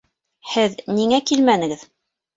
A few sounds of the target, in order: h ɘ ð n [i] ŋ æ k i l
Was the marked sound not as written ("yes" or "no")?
no